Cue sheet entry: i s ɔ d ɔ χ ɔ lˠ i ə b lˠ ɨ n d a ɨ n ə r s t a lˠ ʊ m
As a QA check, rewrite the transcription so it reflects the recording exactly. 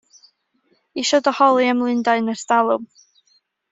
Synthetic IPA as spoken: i ʃ ɔ d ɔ h ɔ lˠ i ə m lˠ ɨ n d a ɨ n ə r s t a lˠ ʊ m